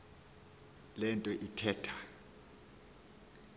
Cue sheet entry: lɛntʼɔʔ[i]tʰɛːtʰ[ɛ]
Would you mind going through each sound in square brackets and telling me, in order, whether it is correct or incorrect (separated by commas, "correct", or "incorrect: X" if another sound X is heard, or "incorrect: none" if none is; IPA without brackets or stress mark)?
correct, incorrect: a